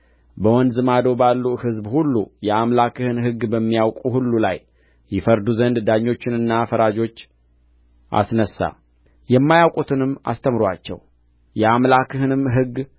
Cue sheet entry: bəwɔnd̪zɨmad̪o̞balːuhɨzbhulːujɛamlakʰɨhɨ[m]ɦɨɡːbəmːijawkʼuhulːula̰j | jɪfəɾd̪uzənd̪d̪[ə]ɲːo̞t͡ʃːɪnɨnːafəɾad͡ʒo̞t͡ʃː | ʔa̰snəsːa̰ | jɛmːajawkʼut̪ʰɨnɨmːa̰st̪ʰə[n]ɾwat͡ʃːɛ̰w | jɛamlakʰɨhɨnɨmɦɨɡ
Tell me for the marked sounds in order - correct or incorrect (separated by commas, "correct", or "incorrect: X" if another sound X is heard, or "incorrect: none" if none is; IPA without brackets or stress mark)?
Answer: incorrect: n, incorrect: a, incorrect: m